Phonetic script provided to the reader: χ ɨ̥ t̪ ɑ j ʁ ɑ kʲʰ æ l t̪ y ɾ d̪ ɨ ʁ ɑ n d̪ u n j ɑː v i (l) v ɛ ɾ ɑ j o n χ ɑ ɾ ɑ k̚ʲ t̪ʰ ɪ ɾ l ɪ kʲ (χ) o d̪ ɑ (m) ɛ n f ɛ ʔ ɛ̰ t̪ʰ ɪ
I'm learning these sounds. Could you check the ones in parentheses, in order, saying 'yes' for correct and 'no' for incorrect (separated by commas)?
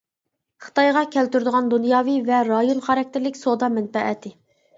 no, no, yes